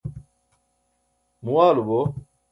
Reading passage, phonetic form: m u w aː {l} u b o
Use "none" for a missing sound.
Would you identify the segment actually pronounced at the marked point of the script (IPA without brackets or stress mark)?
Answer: l